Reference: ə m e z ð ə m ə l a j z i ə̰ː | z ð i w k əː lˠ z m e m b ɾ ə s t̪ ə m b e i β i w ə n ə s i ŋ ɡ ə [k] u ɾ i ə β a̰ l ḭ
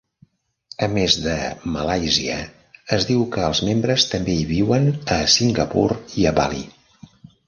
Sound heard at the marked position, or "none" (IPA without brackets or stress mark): p